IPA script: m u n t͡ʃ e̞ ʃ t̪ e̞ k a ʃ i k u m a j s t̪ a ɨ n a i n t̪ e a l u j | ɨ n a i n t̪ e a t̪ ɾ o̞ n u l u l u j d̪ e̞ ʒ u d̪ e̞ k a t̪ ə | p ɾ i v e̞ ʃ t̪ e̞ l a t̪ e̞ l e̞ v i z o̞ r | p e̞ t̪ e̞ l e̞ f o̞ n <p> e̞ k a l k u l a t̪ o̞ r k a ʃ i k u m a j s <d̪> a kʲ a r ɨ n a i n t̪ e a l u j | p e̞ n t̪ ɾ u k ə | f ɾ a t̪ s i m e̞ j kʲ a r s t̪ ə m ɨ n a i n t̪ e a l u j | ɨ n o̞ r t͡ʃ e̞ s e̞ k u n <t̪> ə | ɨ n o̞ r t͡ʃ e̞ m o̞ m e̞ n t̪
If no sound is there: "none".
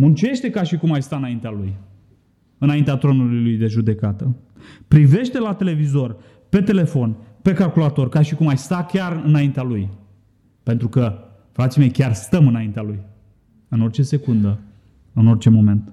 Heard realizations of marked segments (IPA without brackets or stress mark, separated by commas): p, t̪, d̪